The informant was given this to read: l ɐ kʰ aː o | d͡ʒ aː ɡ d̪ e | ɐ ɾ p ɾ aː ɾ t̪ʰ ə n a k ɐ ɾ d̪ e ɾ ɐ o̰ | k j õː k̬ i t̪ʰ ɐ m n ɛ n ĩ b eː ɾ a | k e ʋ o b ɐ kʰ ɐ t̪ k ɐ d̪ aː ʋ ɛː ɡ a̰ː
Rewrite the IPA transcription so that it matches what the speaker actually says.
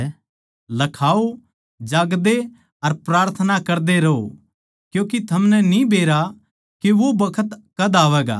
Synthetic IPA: l ɐ kʰ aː o | d͡ʒ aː ɡ d̪ e | ɐ ɾ p ɾ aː ɾ t̪ʰ ə n a k ɐ ɾ d̪ e ɾ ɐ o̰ | k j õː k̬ i t̪ʰ ɐ m n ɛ n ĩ b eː ɾ a | k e ʋ o b ɐ kʰ ə t̪ k ɐ d̪ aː ʋ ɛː ɡ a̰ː